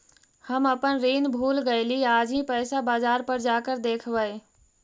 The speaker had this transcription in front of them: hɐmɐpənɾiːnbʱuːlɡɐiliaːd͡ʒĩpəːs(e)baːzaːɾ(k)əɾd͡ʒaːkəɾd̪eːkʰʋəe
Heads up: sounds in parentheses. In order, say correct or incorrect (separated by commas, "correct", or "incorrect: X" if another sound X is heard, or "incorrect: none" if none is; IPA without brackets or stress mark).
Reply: incorrect: a, incorrect: p